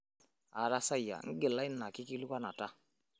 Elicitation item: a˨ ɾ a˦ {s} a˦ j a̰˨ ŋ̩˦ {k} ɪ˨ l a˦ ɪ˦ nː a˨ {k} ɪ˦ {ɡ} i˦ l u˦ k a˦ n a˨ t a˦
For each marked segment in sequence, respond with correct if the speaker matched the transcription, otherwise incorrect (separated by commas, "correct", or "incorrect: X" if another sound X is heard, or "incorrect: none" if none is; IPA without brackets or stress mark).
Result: correct, incorrect: ɡ, correct, incorrect: k